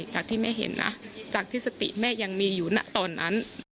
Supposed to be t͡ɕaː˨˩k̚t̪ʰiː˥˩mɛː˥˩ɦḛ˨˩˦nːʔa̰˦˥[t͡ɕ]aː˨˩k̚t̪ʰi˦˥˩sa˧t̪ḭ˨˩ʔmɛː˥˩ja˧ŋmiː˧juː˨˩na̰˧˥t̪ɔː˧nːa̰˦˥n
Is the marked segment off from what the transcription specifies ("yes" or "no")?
no